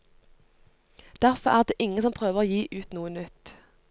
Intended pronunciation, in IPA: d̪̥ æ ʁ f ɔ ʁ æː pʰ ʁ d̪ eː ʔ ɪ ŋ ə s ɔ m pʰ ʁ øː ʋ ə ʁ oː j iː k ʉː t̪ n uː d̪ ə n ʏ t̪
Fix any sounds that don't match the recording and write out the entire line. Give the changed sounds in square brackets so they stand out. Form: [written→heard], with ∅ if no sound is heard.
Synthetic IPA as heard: d̪̥ æ ʁ f ɔ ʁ æː [pʰ→∅] ʁ d̪ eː ʔ ɪ ŋ ə s ɔ m pʰ ʁ øː ʋ ə ʁ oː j iː [k→ʔ] ʉː t̪ n uː [d̪→∅] ə n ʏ t̪

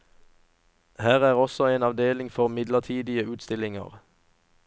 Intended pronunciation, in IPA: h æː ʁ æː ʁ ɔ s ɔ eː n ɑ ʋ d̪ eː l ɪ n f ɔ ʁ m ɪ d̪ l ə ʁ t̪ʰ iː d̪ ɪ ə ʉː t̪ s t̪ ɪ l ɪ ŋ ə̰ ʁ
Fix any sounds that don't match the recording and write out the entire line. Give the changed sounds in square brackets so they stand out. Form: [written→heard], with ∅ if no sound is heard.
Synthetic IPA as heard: h æː ʁ æː ʁ ɔ s ɔ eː n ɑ ʋ d̪ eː l ɪ [n→ŋ] f ɔ ʁ m ɪ d̪ l ə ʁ t̪ʰ iː d̪ ɪ ə ʉː t̪ s t̪ ɪ l ɪ ŋ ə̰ ʁ

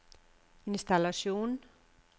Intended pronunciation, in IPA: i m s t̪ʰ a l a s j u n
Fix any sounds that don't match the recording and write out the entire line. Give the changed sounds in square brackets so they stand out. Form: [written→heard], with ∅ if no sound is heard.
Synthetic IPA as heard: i [m→n] s [t̪ʰ→t̪] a l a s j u n

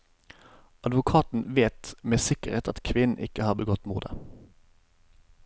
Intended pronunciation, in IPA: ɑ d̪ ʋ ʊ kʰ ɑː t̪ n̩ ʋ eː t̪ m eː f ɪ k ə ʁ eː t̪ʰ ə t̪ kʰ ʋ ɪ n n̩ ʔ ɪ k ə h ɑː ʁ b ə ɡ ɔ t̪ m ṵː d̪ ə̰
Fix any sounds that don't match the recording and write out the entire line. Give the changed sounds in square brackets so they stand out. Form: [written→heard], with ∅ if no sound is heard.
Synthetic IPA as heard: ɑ d̪ ʋ ʊ kʰ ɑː t̪ n̩ ʋ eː t̪ m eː [f→s] ɪ k ə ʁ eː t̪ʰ [ə→ɑ] t̪ kʰ ʋ ɪ n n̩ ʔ ɪ k ə h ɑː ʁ b ə ɡ ɔ t̪ m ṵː d̪ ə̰

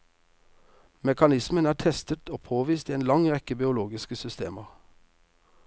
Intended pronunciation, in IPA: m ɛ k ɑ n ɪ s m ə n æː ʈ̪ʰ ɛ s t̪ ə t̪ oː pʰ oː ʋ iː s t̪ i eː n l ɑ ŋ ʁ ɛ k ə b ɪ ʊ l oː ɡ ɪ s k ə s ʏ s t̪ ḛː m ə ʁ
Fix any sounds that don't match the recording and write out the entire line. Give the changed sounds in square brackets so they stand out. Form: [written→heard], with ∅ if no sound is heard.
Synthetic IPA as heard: m ɛ k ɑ n ɪ s m ə n æː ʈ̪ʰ ɛ s t̪ ə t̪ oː pʰ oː ʋ iː s t̪ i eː n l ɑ ŋ ʁ ɛ k ə b ɪ ʊ l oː ɡ ɪ s k ə s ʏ s t̪ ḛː m ə ʁ

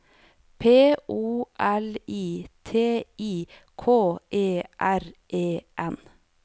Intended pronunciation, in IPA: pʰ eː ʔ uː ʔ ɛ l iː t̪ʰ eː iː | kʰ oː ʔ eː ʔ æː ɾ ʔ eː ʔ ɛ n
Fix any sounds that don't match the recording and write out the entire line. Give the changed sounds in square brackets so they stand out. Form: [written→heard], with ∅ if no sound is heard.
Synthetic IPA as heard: pʰ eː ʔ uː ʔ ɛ l iː t̪ʰ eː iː | kʰ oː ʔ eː ʔ [æː→æ] ɾ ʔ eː ʔ ɛ n

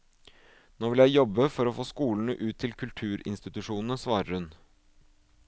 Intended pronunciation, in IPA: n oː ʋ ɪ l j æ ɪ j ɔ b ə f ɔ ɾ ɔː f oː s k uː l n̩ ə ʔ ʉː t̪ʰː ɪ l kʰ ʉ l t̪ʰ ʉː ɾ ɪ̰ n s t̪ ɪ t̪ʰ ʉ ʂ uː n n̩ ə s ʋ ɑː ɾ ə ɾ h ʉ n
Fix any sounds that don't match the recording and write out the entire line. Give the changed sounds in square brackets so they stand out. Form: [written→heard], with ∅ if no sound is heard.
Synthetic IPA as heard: n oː ʋ ɪ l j æ ɪ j ɔ b ə f ɔ ɾ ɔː f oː s k uː l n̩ ə ʔ ʉː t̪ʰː ɪ l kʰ ʉ l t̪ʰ ʉː ɾ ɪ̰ n s t̪ ɪ [t̪ʰ→t̪] ʉ ʂ uː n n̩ ə s ʋ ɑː ɾ ə ɾ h ʉ n

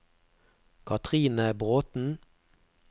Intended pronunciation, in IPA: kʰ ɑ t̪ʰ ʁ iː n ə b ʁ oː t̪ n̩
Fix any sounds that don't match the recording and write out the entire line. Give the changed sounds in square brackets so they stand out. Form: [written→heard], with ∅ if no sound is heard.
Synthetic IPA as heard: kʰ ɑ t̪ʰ ʁ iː n ə b ʁ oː t̪ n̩

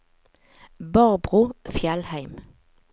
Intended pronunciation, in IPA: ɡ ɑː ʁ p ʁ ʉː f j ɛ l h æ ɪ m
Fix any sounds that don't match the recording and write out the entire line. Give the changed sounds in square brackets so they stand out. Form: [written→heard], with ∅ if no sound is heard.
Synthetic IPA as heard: [ɡ→b] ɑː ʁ [p→b] ʁ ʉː f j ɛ l h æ ɪ m

